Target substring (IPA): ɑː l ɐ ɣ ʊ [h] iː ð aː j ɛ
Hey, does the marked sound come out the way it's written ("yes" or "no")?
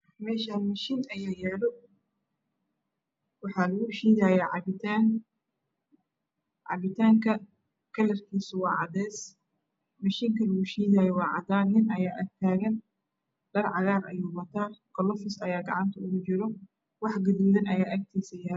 no